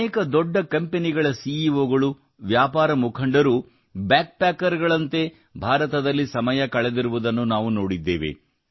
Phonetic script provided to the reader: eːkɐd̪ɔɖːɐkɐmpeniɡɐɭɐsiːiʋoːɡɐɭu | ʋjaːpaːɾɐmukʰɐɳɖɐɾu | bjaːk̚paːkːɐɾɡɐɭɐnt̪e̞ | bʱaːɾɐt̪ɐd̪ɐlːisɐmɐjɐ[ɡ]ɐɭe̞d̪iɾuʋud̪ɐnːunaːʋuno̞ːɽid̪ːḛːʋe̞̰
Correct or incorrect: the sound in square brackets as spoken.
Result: incorrect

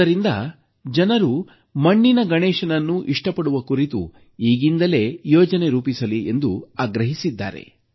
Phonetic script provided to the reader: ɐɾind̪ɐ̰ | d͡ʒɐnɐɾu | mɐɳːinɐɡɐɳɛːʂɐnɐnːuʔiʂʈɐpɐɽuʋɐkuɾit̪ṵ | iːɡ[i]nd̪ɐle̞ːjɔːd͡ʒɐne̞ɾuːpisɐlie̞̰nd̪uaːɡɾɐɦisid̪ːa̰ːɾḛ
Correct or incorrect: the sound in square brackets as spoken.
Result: correct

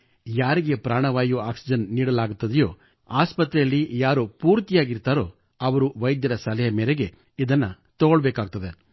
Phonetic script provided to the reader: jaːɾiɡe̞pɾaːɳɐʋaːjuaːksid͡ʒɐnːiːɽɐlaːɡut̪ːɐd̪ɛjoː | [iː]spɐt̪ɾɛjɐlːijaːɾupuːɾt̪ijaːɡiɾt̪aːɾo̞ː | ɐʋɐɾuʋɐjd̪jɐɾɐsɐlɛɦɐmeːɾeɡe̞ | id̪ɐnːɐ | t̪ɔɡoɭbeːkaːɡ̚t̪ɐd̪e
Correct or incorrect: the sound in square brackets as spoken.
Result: incorrect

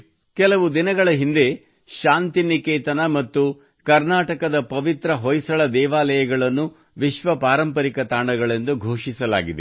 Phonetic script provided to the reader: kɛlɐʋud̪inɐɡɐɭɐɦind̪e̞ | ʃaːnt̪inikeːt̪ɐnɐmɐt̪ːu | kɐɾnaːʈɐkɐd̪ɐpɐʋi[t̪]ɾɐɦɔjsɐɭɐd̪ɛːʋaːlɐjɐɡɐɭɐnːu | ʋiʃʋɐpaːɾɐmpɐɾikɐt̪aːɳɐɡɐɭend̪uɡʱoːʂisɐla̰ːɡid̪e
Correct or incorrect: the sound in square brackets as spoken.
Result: correct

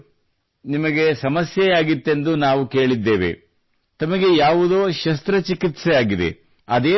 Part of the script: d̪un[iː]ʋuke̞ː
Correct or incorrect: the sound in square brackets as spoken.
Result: incorrect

